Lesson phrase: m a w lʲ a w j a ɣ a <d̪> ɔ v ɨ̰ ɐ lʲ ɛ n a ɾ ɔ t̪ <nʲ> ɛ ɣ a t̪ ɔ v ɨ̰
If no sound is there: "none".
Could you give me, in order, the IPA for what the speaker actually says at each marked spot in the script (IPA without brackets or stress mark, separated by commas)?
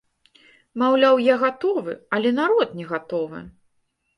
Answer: t̪, nʲ